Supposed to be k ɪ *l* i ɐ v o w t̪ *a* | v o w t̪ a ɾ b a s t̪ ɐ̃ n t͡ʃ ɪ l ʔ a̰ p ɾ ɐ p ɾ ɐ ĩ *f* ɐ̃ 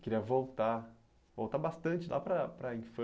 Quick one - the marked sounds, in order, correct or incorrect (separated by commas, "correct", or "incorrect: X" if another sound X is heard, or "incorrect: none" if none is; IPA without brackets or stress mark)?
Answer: incorrect: ɾ, correct, correct